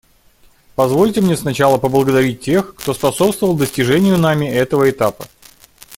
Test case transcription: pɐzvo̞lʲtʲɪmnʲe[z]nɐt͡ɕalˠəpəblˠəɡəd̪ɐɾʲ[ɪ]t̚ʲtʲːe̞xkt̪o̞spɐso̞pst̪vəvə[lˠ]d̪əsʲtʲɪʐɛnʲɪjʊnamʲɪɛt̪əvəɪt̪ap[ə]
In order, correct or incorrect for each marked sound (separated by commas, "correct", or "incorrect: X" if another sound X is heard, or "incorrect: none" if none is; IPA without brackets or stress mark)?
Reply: incorrect: s, incorrect: i, correct, correct